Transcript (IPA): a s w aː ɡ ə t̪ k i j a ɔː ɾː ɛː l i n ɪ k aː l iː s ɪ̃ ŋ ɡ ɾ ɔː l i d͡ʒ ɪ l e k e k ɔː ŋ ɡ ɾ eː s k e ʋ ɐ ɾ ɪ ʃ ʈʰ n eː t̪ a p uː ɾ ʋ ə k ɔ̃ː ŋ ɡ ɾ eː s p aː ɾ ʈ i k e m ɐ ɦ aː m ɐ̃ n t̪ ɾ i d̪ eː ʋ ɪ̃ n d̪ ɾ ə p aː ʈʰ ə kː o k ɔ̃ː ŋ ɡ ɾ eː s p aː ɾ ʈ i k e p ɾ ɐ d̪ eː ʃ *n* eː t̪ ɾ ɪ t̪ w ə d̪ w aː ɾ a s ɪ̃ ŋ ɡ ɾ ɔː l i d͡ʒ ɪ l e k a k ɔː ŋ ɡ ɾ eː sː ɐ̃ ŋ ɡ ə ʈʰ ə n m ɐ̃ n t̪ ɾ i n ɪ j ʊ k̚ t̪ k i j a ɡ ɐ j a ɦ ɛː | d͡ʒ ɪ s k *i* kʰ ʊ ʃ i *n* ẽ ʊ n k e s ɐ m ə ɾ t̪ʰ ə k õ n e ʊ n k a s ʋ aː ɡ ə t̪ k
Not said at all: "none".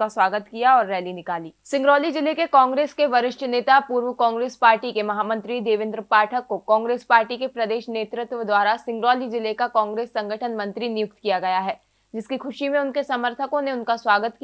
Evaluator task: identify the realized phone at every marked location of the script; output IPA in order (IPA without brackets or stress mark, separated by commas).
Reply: n, i, m